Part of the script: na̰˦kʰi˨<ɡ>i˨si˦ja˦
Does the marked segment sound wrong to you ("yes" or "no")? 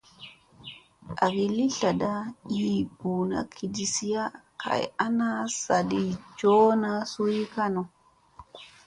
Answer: yes